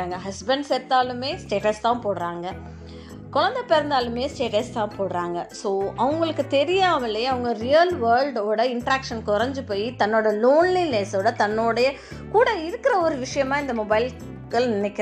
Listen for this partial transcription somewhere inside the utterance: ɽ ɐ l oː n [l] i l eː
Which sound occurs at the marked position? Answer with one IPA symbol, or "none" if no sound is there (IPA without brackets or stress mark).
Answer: l